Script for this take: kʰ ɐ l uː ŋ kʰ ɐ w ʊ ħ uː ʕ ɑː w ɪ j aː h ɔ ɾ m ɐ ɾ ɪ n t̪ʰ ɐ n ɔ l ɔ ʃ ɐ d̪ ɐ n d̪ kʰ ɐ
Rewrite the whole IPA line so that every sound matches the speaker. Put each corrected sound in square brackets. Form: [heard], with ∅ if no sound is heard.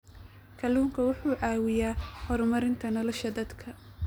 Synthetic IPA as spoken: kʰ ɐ l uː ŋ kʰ ɐ w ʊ ħ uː ʕ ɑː w ɪ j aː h ɔ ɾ m ɐ ɾ ɪ n t̪ʰ ɐ n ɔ l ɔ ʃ ɐ d̪ ɐ [∅] d̪ kʰ ɐ

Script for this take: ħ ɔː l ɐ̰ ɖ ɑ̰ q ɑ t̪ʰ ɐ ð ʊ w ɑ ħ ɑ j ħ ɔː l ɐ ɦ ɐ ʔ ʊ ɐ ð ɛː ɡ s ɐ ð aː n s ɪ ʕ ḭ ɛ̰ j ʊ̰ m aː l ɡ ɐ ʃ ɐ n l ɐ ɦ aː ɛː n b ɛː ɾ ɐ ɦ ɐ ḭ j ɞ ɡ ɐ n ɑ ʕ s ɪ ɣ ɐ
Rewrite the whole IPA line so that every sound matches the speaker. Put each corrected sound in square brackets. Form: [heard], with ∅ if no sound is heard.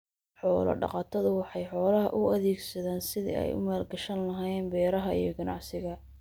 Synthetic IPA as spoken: ħ ɔː l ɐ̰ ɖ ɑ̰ q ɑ t̪ʰ ɐ ð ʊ w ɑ ħ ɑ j ħ ɔː l ɐ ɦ ɐ ʔ ʊ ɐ ð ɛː ɡ s ɐ ð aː n s ɪ [ð] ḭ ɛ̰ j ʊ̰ m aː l ɡ ɐ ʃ ɐ n l ɐ ɦ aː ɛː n b ɛː ɾ ɐ ɦ ɐ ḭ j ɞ ɡ ɐ n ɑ ʕ s ɪ ɣ ɐ

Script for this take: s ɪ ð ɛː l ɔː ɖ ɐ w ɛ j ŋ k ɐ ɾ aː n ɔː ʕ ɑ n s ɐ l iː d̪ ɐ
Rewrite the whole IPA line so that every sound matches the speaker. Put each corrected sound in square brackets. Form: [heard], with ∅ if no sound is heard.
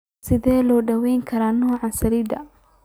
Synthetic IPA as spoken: s ɪ ð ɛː l ɔː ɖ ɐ w ɛ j ŋ [kʰ] ɐ ɾ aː n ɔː ʕ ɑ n s ɐ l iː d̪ ɐ

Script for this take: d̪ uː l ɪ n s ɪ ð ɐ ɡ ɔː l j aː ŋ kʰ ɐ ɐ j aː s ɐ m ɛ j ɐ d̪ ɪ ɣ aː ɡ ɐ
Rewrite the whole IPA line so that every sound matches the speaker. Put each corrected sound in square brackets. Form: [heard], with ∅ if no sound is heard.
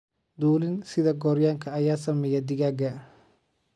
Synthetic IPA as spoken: d̪ uː l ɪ n s ɪ ð ɐ ɡ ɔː [ɾ] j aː ŋ kʰ ɐ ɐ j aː s ɐ m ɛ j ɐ d̪ ɪ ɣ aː ɡ ɐ

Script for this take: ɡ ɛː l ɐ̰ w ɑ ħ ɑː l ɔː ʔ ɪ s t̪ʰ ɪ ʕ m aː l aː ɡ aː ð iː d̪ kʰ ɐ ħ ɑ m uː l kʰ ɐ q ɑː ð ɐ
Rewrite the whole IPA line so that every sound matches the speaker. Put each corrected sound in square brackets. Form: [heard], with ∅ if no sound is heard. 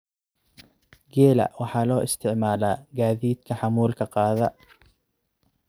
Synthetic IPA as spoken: ɡ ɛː l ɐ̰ w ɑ ħ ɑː l ɔː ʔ ɪ s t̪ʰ ɪ ʕ m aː l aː ɡ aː ð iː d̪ kʰ ɐ ħ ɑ m uː l kʰ ɐ q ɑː ð ɐ

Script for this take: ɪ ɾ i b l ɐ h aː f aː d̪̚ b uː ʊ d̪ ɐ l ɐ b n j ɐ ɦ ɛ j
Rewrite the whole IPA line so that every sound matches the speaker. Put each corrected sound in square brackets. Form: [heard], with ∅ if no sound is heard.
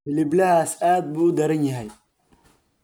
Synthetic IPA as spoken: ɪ [l] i b l ɐ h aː [s] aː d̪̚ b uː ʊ d̪ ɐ [ɾ] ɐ [∅] n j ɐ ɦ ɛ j

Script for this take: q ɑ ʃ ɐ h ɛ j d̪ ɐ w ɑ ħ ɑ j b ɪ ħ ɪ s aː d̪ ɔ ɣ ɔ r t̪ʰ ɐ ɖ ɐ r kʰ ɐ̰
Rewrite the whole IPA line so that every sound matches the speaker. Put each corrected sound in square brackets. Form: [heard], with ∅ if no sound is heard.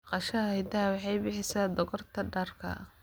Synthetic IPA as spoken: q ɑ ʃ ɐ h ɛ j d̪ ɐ w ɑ ħ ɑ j b ɪ ħ ɪ s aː d̪ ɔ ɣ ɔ r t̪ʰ ɐ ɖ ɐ r kʰ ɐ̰

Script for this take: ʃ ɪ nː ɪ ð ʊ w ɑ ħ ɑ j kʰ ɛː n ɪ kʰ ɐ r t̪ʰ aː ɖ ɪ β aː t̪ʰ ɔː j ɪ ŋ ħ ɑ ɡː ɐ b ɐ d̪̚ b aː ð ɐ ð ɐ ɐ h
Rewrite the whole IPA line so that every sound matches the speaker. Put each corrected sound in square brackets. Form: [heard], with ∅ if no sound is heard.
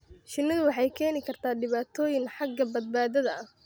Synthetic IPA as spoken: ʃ ɪ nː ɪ ð ʊ w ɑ ħ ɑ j kʰ ɛː n ɪ kʰ ɐ r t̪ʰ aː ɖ ɪ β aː t̪ʰ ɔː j ɪ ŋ ħ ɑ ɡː ɐ b ɐ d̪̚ b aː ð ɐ ð ɐ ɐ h

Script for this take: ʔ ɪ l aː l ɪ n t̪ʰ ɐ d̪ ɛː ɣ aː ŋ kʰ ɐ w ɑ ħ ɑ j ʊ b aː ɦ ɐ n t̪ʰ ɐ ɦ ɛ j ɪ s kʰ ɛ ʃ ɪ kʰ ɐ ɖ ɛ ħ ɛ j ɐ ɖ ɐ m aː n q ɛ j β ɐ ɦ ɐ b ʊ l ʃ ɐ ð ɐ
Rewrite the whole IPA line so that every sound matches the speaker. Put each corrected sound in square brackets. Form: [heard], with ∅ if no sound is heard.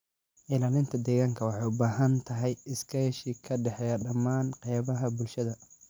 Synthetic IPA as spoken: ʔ ɪ l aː l ɪ n t̪ʰ ɐ d̪ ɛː ɣ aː ŋ kʰ ɐ w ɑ ħ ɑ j ʊ b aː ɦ ɐ n t̪ʰ ɐ ɦ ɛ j ɪ s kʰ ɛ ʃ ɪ kʰ ɐ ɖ ɛ ħ ɛ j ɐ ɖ ɐ m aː n q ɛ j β ɐ ɦ ɐ b ʊ l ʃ ɐ ð ɐ

